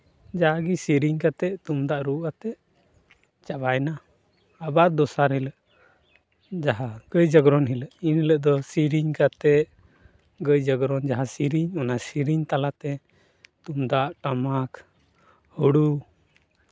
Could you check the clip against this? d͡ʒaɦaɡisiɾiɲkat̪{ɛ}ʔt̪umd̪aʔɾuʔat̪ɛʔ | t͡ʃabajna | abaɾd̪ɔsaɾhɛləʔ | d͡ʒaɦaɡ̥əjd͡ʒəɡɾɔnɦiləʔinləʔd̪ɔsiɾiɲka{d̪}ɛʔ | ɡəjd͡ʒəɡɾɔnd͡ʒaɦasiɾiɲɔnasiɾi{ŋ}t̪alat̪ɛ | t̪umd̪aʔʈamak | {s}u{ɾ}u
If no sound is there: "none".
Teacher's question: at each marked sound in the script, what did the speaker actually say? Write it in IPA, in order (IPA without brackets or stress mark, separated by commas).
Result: ɛ, t̪, ɲ, h, ɽ